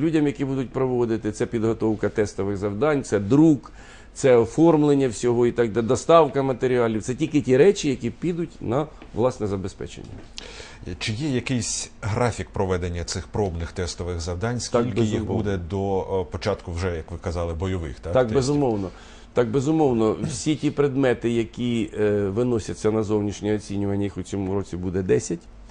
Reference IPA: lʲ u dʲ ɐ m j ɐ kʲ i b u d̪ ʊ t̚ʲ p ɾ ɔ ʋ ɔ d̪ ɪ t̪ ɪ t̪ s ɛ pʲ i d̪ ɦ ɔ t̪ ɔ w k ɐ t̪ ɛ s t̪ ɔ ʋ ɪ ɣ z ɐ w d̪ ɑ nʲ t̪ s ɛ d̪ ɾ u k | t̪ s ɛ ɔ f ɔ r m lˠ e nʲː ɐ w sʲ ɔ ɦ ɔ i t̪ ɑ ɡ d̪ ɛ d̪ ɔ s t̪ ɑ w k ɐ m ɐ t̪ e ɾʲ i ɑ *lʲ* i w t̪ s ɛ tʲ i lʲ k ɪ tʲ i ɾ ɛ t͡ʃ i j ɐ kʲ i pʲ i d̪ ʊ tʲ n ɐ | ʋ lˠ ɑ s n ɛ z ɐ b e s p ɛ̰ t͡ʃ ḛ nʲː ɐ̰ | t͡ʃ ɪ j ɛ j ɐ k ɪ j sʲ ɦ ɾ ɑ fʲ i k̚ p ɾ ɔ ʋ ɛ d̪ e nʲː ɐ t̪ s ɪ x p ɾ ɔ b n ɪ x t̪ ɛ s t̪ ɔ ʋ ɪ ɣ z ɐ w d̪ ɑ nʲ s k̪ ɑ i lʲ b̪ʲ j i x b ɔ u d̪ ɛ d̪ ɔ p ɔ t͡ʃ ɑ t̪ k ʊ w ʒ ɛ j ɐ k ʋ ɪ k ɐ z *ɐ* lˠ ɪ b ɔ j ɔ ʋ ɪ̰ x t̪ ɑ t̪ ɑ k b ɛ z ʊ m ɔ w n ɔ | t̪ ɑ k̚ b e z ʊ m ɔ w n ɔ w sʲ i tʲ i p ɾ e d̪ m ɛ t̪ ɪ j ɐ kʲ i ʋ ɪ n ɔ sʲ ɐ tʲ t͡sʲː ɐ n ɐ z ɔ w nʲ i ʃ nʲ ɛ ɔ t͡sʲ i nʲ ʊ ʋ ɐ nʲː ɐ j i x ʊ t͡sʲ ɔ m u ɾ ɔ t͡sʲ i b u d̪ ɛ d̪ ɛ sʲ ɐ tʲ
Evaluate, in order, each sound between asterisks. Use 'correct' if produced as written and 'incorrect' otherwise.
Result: correct, incorrect

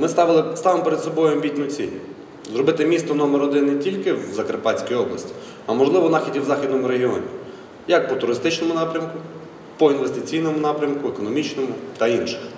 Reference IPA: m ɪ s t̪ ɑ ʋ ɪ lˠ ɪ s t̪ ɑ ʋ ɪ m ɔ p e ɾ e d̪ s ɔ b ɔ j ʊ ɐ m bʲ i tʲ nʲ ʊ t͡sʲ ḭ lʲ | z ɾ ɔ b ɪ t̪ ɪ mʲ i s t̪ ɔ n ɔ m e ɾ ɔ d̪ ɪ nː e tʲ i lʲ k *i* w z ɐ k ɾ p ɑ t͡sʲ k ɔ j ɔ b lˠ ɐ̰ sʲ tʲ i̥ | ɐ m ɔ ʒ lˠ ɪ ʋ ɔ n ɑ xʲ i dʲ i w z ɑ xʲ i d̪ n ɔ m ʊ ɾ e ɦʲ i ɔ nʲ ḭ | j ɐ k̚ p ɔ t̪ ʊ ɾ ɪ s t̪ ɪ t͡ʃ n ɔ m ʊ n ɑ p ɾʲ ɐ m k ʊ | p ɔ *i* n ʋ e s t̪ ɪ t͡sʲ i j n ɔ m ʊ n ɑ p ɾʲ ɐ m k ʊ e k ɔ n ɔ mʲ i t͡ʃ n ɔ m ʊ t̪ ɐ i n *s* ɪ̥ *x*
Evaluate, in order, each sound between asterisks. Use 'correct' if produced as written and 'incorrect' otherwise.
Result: incorrect, correct, incorrect, correct

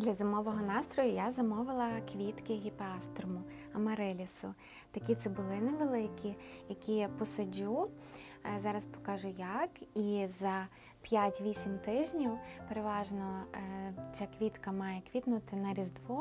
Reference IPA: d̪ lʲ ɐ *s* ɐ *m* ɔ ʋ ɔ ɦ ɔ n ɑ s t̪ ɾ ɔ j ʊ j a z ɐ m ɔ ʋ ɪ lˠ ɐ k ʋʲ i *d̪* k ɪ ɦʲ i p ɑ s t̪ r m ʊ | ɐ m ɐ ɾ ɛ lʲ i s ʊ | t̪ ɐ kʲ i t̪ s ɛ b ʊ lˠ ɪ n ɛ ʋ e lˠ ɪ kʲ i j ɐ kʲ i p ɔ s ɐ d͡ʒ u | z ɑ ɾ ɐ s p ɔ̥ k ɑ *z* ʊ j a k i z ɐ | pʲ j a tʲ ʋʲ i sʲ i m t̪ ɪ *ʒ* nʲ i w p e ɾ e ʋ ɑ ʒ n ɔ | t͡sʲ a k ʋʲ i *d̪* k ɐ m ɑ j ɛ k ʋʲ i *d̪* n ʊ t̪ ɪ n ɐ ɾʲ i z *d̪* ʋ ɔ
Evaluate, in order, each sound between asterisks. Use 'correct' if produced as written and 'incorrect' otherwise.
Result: incorrect, correct, incorrect, incorrect, correct, incorrect, incorrect, correct

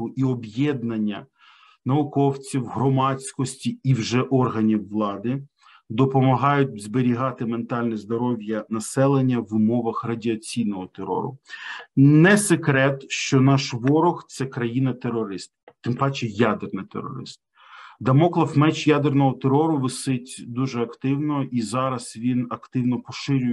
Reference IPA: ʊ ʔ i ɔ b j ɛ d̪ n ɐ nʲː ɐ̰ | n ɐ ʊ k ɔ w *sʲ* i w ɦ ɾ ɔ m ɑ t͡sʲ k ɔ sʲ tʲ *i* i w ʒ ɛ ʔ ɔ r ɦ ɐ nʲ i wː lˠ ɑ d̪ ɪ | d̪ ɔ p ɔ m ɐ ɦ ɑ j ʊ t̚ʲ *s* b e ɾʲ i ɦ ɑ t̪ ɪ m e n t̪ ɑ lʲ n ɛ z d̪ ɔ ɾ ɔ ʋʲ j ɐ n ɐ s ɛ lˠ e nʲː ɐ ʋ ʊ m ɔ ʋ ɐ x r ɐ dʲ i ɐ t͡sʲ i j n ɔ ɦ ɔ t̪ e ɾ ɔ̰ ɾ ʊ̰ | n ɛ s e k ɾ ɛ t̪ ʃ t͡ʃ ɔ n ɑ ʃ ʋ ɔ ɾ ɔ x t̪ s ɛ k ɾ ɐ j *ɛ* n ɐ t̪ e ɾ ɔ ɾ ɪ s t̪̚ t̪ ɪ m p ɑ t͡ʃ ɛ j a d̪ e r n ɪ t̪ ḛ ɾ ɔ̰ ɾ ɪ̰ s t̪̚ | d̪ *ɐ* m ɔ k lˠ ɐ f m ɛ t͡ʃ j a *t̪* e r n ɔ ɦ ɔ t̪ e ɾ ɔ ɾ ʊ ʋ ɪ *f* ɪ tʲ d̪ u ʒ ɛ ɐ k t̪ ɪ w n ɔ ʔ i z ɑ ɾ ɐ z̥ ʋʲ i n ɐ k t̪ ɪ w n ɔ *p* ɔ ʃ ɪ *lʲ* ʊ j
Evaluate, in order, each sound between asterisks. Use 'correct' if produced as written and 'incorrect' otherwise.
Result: incorrect, correct, incorrect, incorrect, correct, incorrect, incorrect, correct, incorrect

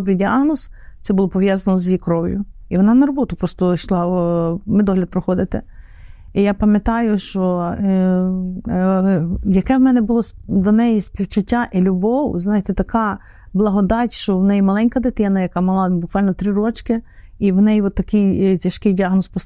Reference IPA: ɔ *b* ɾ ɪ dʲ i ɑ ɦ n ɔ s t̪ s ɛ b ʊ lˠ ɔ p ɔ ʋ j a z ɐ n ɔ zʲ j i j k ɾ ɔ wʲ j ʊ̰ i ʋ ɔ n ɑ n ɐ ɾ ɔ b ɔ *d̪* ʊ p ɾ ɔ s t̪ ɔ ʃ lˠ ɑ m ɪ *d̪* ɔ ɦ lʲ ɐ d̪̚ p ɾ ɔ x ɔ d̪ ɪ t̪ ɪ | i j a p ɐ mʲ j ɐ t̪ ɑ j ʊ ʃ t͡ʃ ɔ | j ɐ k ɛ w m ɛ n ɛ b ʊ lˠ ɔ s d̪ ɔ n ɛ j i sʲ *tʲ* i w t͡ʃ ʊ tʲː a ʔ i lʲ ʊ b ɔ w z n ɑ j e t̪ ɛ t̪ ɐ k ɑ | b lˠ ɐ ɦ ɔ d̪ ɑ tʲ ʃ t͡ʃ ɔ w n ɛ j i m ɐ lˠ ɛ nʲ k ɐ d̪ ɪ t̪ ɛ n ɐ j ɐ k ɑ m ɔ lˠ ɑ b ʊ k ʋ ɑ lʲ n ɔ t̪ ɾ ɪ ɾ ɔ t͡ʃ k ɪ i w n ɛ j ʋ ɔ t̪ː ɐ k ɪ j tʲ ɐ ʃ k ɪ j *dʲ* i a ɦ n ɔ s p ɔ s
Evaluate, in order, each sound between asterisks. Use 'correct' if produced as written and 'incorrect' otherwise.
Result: correct, incorrect, correct, incorrect, correct

